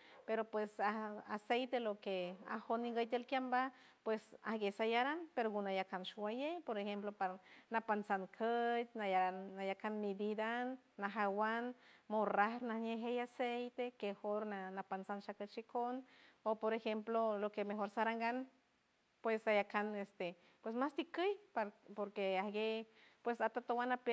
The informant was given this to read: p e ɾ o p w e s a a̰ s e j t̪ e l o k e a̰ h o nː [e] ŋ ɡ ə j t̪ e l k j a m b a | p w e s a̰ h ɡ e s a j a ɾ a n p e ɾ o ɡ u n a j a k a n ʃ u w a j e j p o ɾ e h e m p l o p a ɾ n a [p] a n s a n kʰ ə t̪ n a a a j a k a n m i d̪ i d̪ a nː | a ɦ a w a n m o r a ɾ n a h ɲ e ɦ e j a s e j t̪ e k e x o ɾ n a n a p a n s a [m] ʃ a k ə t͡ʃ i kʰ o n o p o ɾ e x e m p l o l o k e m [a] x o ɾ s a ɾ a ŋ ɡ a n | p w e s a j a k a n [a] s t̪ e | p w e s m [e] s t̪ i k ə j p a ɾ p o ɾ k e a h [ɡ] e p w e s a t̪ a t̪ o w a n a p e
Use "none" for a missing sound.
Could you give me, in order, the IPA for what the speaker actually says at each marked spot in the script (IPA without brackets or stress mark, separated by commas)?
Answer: i, p, n, e, e, a, ɡ